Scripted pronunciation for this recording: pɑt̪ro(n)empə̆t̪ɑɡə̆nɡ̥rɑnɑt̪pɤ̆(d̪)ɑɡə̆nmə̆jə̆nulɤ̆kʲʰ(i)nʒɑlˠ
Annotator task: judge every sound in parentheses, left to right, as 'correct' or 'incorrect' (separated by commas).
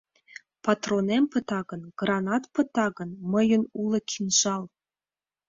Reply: correct, incorrect, correct